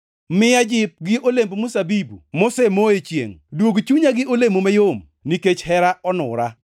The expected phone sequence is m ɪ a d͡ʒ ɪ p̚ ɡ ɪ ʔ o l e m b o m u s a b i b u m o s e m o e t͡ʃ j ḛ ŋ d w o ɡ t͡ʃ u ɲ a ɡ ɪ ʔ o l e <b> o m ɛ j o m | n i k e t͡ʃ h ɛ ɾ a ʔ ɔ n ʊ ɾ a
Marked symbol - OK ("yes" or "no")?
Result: no